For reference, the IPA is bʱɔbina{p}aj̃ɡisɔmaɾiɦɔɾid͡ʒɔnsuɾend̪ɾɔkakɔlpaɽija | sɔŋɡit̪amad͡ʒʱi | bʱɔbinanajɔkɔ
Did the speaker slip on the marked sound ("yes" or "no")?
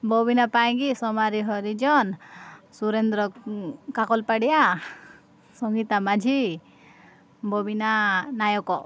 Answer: no